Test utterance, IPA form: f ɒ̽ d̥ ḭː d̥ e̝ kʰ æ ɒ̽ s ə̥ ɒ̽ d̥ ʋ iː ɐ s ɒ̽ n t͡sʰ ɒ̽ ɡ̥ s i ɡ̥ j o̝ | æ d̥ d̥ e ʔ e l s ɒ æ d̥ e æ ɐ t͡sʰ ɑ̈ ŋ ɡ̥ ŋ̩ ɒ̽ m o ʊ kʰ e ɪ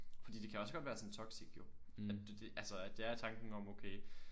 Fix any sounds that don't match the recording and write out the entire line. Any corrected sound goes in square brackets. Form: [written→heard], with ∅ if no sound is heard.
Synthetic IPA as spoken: f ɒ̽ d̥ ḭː d̥ e̝ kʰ æ ɒ̽ s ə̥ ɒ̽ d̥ ʋ [iː→æː] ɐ s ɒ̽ n t͡sʰ ɒ̽ ɡ̥ s i ɡ̥ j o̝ | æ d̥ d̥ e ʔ [e→æ] l s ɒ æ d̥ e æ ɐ t͡sʰ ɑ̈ ŋ ɡ̥ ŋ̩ ɒ̽ m o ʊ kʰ e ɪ